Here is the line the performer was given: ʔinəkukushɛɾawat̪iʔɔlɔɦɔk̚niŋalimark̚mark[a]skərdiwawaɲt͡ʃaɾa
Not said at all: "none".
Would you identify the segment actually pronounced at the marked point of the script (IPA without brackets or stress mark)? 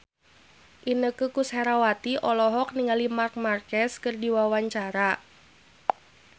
ɛ